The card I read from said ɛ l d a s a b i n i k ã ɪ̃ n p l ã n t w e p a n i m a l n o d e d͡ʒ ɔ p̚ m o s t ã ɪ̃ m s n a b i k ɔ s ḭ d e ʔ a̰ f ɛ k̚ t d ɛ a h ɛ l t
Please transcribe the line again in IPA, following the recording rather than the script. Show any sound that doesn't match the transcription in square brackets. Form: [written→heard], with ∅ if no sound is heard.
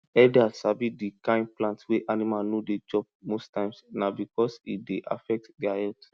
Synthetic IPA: ɛ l d a s a b i [n→d] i k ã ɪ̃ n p l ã n t w e [p→ʔ] a n i m a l n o d e d͡ʒ ɔ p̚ m o s t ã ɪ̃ m s n a b i k ɔ s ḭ d e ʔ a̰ f ɛ k̚ t d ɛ a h ɛ l t